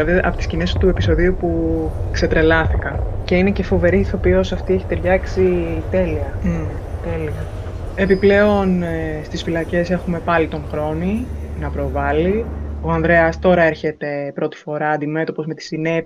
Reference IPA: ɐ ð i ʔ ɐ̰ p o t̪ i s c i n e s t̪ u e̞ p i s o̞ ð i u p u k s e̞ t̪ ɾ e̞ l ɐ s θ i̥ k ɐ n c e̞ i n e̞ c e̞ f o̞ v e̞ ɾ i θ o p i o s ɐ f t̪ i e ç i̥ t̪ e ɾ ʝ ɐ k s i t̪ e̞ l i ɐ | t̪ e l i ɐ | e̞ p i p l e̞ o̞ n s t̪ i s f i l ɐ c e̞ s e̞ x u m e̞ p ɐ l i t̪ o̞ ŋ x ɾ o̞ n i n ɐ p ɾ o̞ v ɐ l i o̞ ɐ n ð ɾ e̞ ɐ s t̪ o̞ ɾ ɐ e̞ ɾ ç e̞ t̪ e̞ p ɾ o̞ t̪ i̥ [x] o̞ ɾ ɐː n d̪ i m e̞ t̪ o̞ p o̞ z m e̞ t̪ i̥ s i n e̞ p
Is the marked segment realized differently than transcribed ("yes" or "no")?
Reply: yes